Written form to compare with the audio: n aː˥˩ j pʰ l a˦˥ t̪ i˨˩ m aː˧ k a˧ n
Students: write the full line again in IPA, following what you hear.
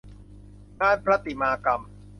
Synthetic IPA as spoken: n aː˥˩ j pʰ ɾ a˦˥ t̪ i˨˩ m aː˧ k a˧ m